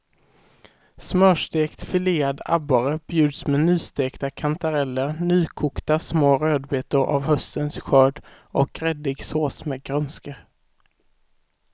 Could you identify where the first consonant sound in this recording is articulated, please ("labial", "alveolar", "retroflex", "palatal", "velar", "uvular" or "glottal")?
alveolar